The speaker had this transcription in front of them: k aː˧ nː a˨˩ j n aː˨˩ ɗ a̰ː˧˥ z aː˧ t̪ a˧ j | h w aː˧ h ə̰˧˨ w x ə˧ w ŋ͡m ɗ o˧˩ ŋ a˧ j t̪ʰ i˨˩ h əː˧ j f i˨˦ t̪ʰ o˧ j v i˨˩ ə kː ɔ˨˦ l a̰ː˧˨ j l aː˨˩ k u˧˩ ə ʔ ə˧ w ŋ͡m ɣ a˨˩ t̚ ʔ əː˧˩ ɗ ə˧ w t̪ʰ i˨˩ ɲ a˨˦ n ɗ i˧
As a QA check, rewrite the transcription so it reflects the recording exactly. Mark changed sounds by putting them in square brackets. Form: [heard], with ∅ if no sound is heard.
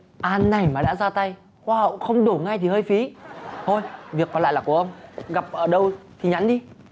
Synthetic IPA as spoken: [ʔ] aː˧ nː a˨˩ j [m] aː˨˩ ɗ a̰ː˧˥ z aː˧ t̪ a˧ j | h w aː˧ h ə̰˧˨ w x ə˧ w ŋ͡m ɗ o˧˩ ŋ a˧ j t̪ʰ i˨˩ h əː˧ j f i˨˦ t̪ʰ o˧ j v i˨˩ ə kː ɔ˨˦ l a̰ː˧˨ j l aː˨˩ k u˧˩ ə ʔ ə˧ w ŋ͡m ɣ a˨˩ [p̚] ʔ əː˧˩ ɗ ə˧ w t̪ʰ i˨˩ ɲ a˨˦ n ɗ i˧

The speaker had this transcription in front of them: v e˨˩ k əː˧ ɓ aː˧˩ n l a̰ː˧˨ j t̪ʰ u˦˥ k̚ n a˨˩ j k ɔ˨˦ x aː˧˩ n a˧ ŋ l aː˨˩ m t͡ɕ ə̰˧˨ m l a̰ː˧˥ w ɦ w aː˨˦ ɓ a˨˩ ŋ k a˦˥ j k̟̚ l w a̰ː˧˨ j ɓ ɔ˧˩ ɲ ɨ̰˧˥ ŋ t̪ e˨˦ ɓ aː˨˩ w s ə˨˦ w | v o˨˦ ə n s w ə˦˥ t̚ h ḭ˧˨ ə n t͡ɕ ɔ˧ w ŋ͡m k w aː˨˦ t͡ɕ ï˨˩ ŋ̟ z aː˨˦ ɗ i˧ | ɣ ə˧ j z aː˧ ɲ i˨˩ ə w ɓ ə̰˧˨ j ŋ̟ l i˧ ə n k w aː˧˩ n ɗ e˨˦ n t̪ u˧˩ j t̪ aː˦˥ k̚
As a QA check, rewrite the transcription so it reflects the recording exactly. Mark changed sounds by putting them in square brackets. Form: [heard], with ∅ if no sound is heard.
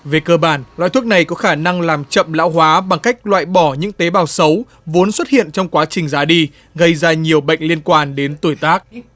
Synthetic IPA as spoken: v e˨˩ k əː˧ ɓ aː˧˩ n l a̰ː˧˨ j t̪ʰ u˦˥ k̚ n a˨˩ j k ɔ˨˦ x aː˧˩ n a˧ ŋ l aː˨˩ m t͡ɕ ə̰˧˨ m l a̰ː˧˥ w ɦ w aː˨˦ ɓ a˨˩ ŋ k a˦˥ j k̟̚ l w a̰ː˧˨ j ɓ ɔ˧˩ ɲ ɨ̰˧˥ ŋ t̪ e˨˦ ɓ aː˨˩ w s ə˨˦ w | v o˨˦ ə n s w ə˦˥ t̚ h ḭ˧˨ ə n t͡ɕ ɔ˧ w ŋ͡m k w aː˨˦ t͡ɕ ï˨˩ ŋ̟ z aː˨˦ ɗ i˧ | ɣ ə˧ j z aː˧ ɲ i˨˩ ə w ɓ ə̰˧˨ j ŋ̟ l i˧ ə n k w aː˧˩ n ɗ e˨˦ n t̪ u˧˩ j t̪ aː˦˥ k̚

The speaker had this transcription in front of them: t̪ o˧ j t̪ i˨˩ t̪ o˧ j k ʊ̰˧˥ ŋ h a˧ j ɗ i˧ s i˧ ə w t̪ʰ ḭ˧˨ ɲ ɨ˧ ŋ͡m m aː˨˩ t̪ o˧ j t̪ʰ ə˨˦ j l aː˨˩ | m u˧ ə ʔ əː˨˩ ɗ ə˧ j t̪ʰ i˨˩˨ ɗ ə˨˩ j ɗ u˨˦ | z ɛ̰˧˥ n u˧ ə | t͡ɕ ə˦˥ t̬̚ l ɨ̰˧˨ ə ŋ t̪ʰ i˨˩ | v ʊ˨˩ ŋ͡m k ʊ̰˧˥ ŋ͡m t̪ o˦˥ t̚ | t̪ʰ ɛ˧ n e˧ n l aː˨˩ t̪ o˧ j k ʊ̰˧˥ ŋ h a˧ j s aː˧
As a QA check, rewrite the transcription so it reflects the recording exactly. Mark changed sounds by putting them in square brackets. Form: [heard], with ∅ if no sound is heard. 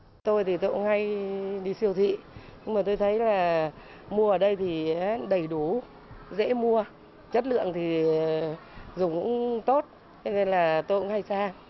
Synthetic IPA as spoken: t̪ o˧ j t̪ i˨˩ t̪ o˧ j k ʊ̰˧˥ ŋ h a˧ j ɗ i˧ s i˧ ə w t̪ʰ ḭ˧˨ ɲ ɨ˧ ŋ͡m m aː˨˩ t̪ o˧ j t̪ʰ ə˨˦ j l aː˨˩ | m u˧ ə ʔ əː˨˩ ɗ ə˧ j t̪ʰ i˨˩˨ ɗ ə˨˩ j ɗ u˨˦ | z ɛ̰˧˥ [m] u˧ ə | t͡ɕ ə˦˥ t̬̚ l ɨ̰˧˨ ə ŋ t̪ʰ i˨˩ | [z] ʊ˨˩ ŋ͡m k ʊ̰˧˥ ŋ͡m t̪ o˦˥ t̚ | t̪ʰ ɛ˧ n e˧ n l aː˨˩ t̪ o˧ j k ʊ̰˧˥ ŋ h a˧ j s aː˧

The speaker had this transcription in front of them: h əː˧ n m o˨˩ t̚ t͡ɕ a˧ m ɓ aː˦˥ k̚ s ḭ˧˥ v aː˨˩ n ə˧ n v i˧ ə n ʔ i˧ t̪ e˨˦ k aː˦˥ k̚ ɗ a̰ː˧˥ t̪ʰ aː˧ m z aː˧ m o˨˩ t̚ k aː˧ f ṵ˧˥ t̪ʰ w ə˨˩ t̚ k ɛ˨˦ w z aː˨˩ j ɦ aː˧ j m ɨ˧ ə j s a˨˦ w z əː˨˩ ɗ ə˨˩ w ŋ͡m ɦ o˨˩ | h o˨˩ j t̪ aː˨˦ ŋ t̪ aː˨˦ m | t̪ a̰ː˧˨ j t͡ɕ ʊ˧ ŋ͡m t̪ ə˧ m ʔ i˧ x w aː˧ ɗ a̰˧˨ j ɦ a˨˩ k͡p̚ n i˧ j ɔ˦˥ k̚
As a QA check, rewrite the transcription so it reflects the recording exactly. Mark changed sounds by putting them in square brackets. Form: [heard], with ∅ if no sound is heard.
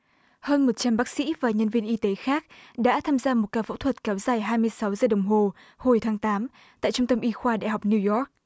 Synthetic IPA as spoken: h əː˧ n m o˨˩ t̚ t͡ɕ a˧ m ɓ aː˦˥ k̚ s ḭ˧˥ v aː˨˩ [ɲ] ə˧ n v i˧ ə n ʔ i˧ t̪ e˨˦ [x] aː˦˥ k̚ ɗ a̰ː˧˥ t̪ʰ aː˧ m z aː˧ m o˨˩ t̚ k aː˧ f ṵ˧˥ t̪ʰ w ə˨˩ t̚ k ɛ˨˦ w z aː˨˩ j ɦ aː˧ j m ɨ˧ ə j s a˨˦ w z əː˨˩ ɗ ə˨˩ w ŋ͡m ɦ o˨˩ | h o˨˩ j [t̪ʰ] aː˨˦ ŋ t̪ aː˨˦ m | t̪ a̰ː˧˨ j t͡ɕ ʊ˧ ŋ͡m t̪ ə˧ m ʔ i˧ x w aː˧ ɗ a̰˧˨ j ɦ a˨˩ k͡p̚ n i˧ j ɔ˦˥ k̚

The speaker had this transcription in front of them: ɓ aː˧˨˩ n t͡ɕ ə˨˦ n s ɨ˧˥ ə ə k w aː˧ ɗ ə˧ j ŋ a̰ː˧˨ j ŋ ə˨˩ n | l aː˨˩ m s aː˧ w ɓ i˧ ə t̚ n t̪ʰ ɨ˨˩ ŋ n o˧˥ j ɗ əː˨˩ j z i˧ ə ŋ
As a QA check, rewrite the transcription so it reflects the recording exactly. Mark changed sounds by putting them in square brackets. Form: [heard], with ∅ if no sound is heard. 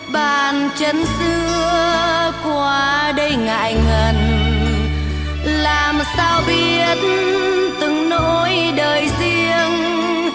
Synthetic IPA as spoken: ɓ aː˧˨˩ n t͡ɕ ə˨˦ n s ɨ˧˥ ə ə k w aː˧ ɗ ə˧ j ŋ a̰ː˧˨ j ŋ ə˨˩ n | l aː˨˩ m s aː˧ w ɓ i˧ ə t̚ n [t̪] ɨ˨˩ ŋ n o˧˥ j ɗ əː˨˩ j z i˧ ə ŋ

